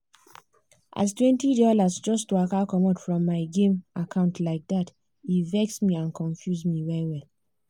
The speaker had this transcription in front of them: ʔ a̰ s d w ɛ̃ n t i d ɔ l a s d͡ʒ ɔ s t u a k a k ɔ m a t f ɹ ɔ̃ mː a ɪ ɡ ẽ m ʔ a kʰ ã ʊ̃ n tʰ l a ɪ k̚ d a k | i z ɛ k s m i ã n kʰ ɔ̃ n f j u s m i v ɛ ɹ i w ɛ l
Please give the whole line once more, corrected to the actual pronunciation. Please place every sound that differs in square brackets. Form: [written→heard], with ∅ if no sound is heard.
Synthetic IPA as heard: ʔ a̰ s [d→t] w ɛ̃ n t i d ɔ l a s d͡ʒ ɔ s t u a k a k ɔ m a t f ɹ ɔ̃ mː a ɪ ɡ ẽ m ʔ a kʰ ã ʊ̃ n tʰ l a ɪ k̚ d a [k→t] | i [z→v] ɛ k s m i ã n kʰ ɔ̃ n f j u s m i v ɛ ɹ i w ɛ l